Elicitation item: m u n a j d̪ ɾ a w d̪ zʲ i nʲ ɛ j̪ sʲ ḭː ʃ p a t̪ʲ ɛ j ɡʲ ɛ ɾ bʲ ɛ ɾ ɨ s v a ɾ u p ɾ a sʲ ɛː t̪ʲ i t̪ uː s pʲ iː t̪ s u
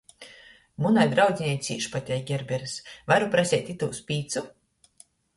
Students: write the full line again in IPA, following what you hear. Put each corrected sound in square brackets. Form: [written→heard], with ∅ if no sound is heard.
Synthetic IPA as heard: m u n a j d̪ ɾ a w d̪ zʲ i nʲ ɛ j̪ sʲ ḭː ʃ p a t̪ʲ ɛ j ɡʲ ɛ ɾ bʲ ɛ ɾ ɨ s v a ɾ u p ɾ a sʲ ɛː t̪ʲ i t̪ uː s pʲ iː t̪ s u